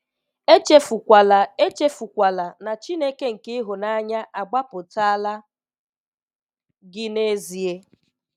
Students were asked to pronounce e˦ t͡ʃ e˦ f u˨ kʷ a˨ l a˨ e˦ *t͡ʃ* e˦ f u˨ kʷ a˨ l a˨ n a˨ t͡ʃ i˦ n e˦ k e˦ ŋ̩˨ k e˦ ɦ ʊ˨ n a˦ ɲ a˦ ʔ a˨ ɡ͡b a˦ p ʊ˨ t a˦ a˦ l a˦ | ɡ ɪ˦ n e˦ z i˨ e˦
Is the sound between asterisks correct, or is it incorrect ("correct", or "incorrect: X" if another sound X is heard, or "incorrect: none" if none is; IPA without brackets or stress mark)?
correct